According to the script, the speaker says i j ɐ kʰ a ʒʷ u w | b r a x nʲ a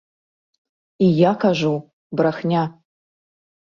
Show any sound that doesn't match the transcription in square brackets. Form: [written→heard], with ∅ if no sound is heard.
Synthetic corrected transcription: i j [ɐ→a] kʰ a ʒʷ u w | b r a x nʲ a